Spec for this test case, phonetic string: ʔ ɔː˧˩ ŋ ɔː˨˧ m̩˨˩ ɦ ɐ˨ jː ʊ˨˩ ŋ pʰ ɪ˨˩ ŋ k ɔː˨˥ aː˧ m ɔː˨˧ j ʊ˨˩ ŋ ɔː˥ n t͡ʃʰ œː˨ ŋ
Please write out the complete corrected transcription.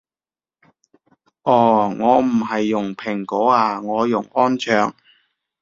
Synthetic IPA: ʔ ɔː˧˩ ŋ ɔː˨˧ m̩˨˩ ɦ ɐ˨ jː ʊ˨˩ ŋ pʰ ɪ˨˩ ŋ k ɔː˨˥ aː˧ ŋ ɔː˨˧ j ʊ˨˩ ŋ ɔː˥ n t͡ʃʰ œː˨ ŋ